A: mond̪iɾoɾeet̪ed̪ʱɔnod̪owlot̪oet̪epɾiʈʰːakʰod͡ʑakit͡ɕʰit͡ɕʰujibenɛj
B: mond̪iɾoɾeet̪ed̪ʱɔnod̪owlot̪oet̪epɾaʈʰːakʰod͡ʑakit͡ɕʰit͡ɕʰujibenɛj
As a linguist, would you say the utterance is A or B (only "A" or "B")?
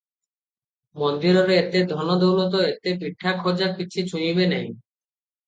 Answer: A